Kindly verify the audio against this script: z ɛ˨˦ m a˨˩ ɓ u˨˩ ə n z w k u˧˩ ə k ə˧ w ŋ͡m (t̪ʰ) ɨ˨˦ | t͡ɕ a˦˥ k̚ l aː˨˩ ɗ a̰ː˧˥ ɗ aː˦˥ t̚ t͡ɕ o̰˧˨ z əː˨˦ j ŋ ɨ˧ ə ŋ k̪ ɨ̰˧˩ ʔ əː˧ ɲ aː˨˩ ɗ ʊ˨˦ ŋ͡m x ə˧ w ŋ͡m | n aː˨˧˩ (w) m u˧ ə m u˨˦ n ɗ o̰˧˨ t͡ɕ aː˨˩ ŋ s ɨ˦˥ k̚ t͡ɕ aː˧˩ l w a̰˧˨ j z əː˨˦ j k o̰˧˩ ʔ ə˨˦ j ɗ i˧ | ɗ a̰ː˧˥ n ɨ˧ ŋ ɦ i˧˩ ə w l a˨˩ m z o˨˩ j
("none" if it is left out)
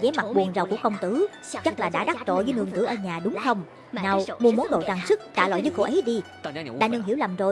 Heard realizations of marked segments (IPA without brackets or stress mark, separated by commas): t̪, w